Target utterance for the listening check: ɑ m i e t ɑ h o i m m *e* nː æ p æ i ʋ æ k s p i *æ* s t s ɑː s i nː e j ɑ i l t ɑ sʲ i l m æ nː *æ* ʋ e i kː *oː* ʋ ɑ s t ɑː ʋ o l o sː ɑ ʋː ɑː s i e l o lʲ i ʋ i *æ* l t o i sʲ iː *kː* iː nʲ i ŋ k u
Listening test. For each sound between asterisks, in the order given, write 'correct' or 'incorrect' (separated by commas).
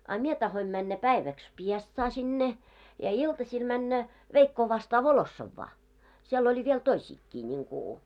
incorrect, incorrect, correct, correct, incorrect, correct